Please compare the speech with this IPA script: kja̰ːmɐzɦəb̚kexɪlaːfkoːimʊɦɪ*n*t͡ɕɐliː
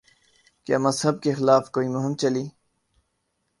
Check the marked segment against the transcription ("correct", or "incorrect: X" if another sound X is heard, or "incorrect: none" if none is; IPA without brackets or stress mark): incorrect: m